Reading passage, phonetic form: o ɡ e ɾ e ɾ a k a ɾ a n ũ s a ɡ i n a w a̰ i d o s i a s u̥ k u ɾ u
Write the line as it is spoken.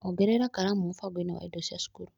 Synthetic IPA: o ɡ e ɾ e ɾ a k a ɾ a m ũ f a ɡ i n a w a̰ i d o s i a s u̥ k u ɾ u